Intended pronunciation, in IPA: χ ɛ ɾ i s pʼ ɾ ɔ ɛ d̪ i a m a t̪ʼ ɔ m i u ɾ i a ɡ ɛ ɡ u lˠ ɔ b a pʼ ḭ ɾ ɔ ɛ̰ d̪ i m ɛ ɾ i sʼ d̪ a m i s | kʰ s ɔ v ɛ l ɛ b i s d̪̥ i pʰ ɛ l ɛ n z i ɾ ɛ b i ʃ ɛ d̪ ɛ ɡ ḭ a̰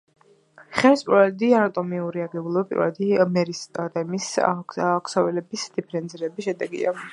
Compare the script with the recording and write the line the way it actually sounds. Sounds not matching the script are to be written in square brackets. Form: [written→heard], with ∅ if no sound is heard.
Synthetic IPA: χ ɛ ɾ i s pʼ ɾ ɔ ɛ d̪ i a [m→n] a t̪ʼ ɔ m i u ɾ i a ɡ ɛ [ɡ→b] u lˠ ɔ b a pʼ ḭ ɾ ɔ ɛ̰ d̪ i m ɛ ɾ i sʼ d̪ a m i s | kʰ s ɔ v ɛ l ɛ b i s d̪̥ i pʰ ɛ [l→ɾ] ɛ n z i ɾ ɛ b i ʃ ɛ d̪ ɛ ɡ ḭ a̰